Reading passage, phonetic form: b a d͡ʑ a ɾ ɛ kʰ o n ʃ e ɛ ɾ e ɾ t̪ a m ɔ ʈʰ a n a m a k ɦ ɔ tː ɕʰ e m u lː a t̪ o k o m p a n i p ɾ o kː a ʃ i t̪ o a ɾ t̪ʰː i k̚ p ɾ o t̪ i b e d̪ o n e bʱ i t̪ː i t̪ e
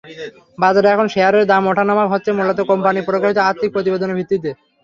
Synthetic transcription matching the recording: b a d͡ʑ a ɾ ɛ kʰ o n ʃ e a ɾ e ɾ d̪ a m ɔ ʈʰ a n a m a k ɦ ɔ tː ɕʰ e m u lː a t̪ o k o m p a n i p ɾ o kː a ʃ i t̪ o a ɾ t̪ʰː i k̚ p ɾ o t̪ i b e d̪ o n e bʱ i t̪ː i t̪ e